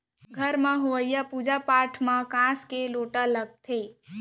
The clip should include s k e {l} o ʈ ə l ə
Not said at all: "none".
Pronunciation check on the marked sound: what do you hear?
l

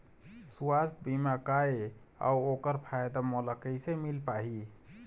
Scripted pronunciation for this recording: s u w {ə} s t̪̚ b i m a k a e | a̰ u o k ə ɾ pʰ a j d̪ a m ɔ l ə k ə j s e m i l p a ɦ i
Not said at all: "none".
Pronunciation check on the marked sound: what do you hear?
a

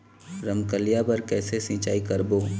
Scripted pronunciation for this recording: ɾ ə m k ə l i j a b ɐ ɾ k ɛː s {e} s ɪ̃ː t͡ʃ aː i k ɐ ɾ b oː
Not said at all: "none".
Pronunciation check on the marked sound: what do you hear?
e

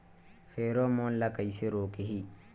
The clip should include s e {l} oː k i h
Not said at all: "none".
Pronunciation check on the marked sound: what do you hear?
ɾ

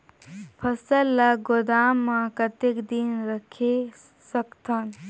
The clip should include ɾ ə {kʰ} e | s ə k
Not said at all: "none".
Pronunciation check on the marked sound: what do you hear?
kʰ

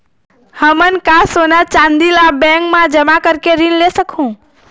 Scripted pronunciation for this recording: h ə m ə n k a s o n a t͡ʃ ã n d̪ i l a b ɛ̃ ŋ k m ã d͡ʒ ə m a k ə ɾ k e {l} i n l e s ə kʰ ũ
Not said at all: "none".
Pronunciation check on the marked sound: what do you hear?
ɾ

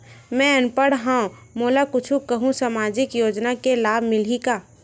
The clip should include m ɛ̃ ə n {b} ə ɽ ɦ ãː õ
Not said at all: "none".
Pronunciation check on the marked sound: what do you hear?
p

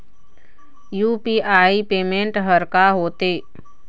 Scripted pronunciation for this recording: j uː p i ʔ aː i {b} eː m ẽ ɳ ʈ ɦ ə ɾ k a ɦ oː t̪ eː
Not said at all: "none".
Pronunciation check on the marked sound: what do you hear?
p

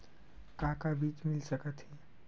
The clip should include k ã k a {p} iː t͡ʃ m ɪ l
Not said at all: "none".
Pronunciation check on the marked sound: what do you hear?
b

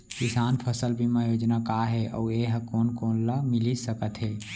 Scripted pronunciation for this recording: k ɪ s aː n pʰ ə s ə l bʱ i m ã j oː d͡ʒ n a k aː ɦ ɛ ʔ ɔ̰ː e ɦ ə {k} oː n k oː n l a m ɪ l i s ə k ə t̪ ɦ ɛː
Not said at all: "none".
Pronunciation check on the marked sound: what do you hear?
k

